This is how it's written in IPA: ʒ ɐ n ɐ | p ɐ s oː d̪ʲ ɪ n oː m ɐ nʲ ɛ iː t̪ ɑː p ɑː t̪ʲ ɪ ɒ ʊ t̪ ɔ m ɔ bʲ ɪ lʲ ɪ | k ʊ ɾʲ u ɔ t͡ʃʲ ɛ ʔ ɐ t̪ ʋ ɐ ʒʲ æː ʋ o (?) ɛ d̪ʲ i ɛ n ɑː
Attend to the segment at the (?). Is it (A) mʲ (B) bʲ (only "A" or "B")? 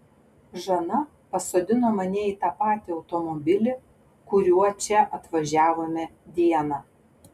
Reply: A